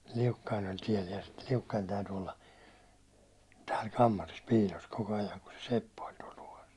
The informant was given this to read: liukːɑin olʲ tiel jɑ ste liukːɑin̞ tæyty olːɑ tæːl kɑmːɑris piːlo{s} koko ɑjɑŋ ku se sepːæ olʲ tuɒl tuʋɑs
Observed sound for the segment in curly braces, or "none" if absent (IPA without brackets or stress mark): s